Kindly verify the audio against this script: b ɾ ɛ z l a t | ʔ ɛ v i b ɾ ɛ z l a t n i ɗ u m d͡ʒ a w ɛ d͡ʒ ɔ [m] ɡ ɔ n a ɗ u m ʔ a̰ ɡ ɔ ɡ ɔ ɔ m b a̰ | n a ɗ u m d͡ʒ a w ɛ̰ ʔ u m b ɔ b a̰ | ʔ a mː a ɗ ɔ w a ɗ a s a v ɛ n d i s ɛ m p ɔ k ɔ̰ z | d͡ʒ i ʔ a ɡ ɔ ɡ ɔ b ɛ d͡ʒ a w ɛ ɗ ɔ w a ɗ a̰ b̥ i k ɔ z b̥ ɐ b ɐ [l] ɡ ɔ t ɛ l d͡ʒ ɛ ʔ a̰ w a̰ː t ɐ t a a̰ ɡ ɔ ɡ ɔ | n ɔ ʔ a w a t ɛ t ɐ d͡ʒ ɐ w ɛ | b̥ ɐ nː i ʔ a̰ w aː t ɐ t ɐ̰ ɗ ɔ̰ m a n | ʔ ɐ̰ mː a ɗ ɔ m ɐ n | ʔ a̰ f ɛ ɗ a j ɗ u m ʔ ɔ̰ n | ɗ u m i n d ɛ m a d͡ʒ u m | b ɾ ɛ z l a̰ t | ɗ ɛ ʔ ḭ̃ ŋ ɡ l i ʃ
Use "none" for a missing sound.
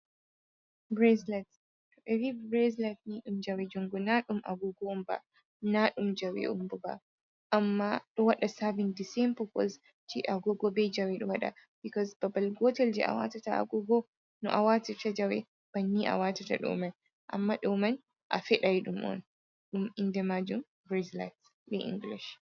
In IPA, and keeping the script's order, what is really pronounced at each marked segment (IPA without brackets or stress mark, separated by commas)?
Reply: ŋ, l